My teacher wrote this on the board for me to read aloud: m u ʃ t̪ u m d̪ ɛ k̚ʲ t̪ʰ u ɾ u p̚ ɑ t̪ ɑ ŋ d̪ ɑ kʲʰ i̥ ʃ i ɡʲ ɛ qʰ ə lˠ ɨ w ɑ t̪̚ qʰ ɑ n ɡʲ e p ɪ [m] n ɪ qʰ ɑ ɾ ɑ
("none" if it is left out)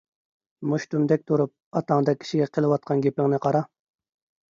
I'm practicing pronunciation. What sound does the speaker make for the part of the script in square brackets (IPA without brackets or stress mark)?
ŋ